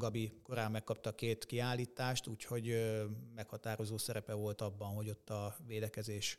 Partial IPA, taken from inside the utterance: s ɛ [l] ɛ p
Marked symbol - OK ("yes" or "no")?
no